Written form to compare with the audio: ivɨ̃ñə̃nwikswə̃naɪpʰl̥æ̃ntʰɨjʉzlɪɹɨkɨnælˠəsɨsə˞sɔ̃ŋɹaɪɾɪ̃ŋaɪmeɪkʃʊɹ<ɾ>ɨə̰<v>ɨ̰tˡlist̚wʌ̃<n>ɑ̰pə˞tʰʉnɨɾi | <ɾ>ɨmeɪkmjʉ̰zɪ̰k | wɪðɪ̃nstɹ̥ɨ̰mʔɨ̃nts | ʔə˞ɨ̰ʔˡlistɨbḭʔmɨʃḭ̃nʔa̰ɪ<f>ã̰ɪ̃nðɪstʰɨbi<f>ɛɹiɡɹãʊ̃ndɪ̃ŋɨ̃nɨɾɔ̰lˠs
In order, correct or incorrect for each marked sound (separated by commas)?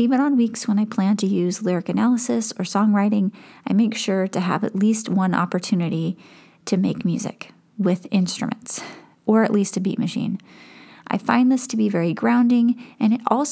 correct, correct, correct, correct, correct, incorrect